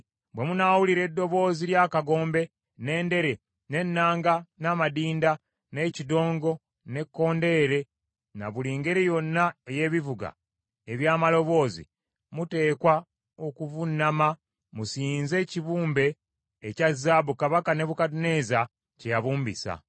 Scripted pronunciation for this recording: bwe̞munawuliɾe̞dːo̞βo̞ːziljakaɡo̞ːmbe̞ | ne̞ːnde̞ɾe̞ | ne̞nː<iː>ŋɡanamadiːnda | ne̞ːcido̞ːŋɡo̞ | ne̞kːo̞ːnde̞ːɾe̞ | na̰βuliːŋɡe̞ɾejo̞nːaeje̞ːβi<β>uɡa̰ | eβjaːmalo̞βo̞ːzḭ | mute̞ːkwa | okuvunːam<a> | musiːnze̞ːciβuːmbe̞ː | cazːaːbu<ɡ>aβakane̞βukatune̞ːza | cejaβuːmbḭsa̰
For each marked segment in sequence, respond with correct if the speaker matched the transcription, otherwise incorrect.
incorrect, incorrect, correct, incorrect

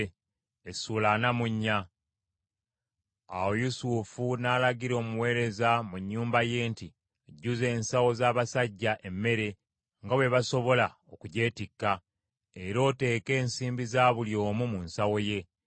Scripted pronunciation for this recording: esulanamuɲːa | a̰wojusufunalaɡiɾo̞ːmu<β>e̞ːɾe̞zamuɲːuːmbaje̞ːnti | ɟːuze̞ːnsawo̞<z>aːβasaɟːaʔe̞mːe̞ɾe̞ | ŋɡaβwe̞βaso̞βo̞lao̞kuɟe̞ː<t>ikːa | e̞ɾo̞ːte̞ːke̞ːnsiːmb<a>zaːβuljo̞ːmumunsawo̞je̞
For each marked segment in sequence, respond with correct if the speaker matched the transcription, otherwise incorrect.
incorrect, correct, correct, incorrect

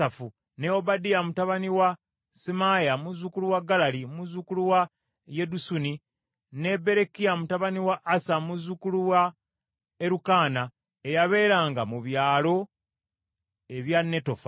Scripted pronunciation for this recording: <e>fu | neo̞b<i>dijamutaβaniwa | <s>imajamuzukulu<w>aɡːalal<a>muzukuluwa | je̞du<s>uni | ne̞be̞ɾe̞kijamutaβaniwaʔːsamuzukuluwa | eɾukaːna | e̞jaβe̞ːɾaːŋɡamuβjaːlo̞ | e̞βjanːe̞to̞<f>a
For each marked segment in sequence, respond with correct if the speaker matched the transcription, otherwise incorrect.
incorrect, incorrect, correct, correct, incorrect, correct, correct

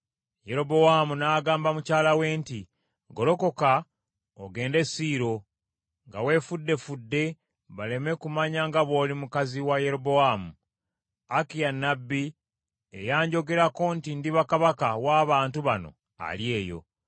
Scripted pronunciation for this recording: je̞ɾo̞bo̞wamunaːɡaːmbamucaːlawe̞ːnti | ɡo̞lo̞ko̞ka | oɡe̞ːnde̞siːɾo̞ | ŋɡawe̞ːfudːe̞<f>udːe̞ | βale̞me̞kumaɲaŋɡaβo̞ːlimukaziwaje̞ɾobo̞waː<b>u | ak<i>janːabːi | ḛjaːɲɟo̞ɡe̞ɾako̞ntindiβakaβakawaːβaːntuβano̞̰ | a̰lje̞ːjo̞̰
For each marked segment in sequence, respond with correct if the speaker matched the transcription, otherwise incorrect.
correct, incorrect, correct

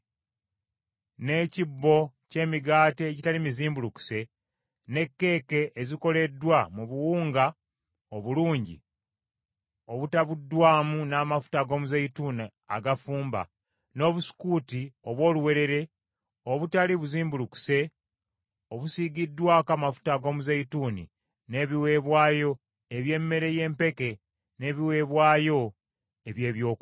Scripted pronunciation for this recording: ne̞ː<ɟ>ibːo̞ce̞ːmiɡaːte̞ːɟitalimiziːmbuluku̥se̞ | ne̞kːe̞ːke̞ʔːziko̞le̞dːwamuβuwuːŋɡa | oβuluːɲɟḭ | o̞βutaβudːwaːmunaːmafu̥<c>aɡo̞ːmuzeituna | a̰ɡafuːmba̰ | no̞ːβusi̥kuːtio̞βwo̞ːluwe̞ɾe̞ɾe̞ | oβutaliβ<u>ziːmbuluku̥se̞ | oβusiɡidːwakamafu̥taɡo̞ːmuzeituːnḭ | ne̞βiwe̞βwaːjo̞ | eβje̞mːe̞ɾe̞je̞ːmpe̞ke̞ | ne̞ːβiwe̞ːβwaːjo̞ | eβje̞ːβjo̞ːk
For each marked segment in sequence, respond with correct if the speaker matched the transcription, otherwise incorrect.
incorrect, incorrect, correct

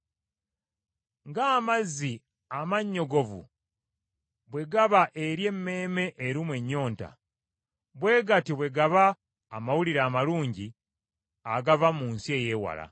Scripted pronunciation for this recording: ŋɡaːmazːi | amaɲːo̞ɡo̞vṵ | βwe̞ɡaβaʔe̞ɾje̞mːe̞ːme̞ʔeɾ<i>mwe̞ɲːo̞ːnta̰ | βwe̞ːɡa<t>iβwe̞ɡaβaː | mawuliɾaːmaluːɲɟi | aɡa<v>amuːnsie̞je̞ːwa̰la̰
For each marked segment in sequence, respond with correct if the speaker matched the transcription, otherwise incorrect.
correct, correct, correct

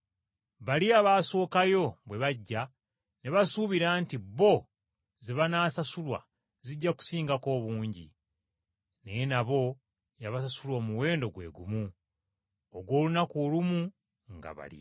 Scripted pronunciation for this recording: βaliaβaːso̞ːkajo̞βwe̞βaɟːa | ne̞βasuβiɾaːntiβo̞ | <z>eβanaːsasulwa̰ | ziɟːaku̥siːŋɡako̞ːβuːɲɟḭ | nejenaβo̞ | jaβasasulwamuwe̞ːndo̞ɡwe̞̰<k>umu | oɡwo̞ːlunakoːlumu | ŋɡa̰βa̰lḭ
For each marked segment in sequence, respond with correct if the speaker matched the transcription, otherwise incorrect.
correct, incorrect

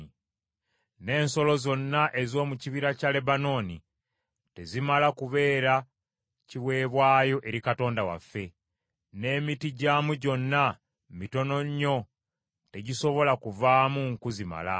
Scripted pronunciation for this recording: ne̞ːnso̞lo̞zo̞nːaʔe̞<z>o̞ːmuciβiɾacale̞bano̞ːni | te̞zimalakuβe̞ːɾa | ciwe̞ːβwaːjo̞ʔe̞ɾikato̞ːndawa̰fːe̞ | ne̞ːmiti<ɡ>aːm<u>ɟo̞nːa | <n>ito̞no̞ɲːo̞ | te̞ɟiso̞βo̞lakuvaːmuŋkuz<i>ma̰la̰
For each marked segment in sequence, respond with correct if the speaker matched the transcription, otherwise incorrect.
correct, incorrect, correct, incorrect, correct

